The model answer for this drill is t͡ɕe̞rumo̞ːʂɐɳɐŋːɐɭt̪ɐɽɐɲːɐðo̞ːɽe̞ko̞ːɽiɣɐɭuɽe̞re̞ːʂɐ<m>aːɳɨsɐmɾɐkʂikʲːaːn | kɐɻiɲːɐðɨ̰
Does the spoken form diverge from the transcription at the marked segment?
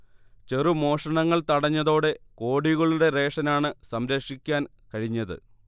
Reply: yes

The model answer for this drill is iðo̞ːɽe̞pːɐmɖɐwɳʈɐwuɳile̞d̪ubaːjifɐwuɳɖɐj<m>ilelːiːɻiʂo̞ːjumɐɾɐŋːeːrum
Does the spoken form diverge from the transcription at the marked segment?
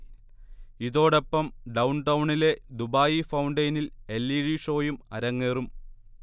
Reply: yes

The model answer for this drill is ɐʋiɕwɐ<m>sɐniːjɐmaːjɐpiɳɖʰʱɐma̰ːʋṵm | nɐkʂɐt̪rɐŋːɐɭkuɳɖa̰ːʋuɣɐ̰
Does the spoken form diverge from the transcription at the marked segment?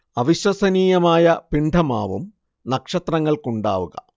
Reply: yes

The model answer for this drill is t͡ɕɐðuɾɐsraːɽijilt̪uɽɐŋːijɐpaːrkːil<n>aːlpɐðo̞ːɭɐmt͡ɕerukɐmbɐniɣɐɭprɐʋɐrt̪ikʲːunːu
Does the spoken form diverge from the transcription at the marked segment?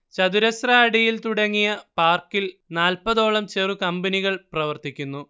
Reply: no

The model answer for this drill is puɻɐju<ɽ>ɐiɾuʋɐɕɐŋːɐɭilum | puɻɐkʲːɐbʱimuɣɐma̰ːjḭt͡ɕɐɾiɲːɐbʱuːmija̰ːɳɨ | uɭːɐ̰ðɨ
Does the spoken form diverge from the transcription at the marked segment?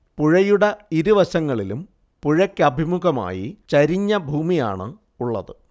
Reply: no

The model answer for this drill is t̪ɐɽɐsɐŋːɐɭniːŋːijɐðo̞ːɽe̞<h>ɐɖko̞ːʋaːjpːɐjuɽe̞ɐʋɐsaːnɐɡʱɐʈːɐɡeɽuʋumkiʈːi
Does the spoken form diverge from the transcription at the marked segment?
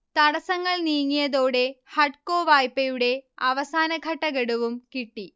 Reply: no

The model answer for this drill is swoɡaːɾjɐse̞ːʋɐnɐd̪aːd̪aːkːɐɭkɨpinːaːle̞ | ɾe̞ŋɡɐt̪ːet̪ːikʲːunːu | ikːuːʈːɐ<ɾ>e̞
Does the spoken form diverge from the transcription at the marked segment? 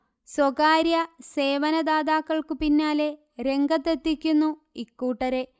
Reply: no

